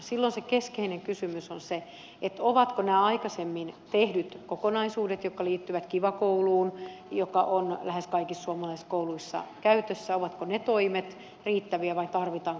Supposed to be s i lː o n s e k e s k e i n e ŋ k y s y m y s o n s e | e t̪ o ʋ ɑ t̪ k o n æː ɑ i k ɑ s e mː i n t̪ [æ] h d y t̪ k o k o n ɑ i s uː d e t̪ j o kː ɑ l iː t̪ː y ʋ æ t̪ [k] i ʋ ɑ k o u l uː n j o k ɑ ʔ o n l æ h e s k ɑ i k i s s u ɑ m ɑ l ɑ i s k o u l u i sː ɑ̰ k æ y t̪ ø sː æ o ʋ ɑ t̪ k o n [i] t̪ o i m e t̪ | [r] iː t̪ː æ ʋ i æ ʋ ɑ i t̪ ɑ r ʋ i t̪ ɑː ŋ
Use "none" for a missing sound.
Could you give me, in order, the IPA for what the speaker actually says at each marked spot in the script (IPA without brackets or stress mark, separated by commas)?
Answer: e, k, e, r